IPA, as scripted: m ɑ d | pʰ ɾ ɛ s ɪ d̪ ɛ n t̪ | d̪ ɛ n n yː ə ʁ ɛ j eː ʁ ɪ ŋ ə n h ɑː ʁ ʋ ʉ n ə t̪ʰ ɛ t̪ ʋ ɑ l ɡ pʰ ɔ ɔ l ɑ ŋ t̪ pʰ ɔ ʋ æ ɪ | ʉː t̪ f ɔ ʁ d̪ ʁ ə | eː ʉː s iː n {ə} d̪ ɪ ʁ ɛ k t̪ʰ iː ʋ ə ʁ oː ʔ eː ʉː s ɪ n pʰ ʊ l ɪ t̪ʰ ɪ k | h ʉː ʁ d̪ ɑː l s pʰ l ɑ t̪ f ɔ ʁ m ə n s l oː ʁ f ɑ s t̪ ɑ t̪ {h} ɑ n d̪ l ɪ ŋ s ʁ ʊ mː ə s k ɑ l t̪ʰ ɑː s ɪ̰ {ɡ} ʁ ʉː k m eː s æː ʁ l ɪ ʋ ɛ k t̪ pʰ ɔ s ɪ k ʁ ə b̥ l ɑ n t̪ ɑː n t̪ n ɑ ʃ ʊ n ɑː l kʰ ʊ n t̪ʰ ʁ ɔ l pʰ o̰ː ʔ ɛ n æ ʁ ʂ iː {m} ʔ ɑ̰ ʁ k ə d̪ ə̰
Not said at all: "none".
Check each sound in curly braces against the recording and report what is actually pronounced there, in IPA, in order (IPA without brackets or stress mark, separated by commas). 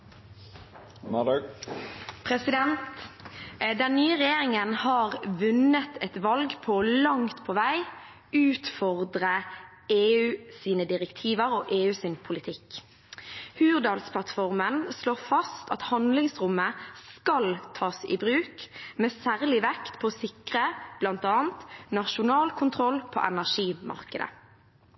ə, h, b, m